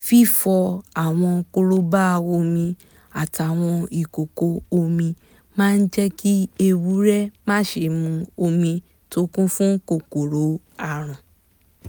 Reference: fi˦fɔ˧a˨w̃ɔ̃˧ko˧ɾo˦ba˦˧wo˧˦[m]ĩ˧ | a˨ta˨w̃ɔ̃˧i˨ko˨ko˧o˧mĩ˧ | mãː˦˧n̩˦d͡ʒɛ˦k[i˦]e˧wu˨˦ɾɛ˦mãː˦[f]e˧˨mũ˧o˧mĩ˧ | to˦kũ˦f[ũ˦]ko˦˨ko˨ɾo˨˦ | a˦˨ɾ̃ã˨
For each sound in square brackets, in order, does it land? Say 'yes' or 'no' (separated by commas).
yes, yes, no, yes